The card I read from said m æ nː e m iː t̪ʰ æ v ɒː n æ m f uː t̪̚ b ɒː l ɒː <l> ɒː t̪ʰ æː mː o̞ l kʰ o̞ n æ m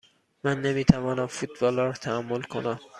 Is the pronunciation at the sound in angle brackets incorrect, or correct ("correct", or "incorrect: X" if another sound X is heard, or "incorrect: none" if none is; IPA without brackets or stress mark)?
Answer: incorrect: ɾ